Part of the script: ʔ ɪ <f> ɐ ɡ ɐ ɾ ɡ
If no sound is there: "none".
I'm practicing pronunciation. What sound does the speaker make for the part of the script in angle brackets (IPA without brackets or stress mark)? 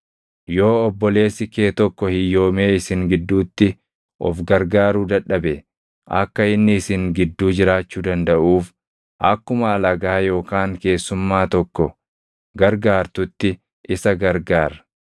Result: s